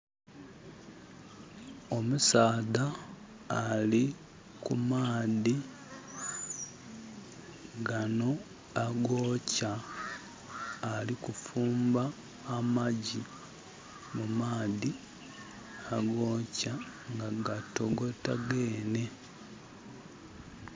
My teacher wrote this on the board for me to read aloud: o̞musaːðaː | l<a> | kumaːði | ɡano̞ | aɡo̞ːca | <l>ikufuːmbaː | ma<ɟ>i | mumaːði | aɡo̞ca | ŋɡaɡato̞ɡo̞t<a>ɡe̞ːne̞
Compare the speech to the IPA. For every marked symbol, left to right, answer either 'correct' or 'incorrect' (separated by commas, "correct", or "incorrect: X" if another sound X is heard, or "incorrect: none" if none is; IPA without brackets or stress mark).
incorrect: i, correct, correct, correct